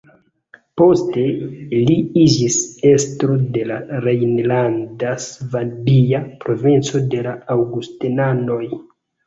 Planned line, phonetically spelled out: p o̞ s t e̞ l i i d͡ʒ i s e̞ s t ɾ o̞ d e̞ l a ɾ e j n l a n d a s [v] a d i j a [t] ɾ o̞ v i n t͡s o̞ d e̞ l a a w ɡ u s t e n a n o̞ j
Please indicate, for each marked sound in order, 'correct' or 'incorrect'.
correct, incorrect: p

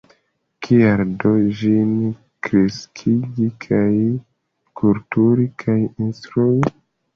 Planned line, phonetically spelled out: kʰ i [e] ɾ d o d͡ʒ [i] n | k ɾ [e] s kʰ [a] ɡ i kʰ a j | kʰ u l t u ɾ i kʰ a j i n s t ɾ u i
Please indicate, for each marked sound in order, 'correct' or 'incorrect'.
incorrect: a, correct, correct, incorrect: i

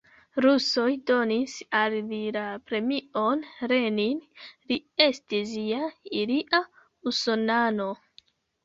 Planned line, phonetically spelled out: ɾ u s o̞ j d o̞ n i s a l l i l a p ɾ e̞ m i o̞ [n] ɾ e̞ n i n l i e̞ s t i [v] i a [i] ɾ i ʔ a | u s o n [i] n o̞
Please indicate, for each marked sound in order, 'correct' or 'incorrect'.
correct, incorrect: z, correct, incorrect: a

